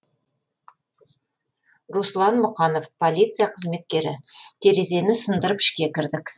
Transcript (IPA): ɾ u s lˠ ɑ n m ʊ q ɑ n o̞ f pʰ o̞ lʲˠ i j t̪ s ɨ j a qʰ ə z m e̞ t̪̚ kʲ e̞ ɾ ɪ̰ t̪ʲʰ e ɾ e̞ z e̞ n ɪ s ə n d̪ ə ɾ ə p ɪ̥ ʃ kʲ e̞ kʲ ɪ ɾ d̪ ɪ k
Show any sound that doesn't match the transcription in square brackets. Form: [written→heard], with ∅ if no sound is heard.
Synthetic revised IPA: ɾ u s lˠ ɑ n m ʊ q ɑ n o̞ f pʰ o̞ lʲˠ i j t̪ s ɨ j a qʰ ə z m e̞ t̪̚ kʲ e̞ ɾ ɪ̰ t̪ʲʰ e ɾ e̞ z e̞ n ɪ s ə n d̪ ə ɾ ə p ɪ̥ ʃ kʲ e̞ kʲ ɪ ɾ d̪ ɪ k